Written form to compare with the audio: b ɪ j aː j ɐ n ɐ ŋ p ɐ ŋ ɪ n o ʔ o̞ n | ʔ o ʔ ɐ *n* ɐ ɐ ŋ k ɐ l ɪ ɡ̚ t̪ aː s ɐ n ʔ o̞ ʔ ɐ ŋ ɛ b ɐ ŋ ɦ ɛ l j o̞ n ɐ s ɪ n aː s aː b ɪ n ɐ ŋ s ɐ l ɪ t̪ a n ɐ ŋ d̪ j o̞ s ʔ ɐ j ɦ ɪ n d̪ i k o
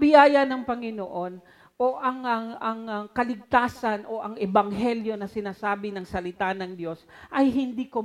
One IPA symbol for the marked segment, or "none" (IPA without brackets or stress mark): ŋ